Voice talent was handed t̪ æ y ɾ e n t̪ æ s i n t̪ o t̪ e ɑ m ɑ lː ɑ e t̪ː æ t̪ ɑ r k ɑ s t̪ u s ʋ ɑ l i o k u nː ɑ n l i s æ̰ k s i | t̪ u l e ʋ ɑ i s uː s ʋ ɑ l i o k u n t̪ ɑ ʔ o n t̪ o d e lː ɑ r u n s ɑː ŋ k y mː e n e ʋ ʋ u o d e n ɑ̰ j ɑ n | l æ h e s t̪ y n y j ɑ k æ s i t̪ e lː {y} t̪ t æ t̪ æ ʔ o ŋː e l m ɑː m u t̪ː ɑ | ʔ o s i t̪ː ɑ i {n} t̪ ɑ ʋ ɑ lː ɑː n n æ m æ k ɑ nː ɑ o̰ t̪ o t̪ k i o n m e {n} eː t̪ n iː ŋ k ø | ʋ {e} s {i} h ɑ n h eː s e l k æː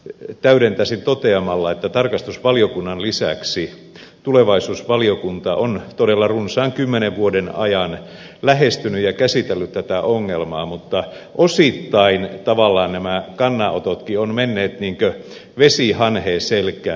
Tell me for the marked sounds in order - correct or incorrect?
correct, correct, incorrect: nː, correct, correct

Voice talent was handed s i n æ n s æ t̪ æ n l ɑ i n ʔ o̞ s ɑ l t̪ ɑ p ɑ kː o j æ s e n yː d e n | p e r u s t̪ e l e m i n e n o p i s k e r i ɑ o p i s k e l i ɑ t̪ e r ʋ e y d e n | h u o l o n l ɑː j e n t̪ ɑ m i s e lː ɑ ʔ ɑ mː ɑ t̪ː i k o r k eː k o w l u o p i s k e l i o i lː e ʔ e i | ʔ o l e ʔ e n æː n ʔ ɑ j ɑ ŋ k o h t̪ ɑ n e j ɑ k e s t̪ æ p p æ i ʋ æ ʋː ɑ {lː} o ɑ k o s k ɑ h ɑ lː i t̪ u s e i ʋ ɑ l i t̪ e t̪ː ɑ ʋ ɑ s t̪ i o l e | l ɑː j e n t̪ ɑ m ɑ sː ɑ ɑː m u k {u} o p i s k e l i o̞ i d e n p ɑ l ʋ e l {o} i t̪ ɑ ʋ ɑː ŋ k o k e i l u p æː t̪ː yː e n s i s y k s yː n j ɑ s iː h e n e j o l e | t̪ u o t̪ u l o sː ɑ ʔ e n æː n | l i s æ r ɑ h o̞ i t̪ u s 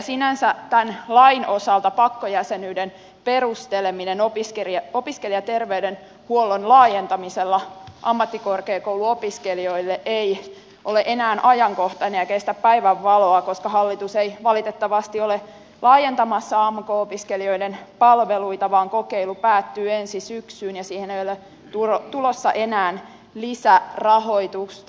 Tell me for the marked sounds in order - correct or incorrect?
incorrect: l, incorrect: o, incorrect: u

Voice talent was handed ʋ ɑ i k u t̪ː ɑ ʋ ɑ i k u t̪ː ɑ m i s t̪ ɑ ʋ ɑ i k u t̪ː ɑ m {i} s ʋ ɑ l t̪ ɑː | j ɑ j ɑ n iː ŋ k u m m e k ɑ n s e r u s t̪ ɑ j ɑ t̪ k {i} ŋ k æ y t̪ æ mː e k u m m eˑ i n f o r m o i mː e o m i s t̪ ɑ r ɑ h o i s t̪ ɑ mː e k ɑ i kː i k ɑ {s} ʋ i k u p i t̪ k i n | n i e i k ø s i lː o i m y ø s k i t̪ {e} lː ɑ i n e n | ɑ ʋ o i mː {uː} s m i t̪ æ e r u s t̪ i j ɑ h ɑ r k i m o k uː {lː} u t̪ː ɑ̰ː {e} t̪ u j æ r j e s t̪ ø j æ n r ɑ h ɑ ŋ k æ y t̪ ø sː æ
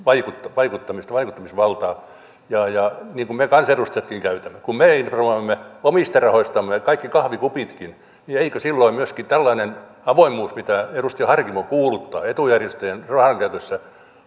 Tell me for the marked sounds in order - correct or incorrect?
correct, correct, incorrect: h, incorrect: æ, correct, incorrect: l, correct

